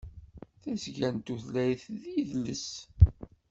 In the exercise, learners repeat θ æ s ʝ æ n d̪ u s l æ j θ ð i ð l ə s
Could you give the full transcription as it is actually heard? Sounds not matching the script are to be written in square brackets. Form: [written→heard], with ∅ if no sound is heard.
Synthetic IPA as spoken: θ æ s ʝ æ n [d̪→t̪] u [s→θ] l æ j θ ð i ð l ə s